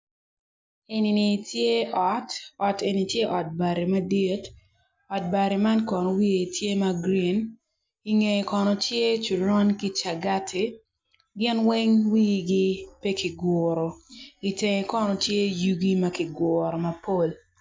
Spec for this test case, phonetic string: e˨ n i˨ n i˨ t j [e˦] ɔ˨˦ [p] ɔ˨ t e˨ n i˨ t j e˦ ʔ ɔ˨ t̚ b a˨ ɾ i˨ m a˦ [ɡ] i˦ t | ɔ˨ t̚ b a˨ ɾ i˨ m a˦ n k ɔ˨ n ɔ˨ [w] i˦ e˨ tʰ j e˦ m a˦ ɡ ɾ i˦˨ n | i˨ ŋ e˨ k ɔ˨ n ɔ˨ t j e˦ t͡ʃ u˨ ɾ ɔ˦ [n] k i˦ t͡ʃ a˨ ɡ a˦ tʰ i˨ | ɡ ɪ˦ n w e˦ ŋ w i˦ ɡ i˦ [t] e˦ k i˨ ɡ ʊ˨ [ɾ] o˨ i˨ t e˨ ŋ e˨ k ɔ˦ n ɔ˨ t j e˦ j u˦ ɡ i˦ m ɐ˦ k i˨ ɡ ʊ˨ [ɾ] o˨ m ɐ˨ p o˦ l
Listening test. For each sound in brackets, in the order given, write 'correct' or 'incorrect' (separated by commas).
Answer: correct, incorrect, incorrect, correct, correct, incorrect, correct, correct